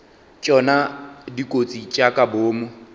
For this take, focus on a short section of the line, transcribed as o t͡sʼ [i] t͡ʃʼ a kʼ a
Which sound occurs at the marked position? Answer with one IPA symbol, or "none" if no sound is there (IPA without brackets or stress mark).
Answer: i